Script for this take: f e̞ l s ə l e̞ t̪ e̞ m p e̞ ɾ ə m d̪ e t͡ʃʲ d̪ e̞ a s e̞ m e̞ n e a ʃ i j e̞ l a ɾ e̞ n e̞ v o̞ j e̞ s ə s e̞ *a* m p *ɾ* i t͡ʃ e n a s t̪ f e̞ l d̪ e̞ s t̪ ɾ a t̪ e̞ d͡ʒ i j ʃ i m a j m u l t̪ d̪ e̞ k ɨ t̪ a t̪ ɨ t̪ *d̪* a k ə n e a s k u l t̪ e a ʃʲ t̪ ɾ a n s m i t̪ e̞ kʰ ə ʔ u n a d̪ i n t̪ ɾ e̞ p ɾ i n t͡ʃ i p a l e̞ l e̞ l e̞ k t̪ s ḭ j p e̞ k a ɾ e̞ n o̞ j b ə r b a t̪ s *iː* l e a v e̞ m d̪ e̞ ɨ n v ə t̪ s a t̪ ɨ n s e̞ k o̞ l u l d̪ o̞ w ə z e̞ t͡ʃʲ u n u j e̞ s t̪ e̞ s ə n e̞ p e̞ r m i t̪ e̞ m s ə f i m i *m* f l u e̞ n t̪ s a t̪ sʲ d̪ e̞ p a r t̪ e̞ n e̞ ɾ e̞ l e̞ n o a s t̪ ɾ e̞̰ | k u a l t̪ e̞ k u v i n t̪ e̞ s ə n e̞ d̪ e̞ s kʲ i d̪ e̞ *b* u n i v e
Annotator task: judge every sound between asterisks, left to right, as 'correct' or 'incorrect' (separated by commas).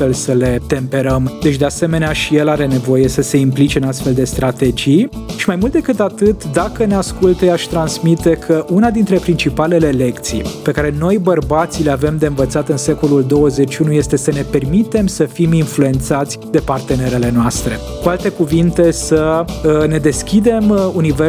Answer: incorrect, incorrect, correct, incorrect, incorrect, incorrect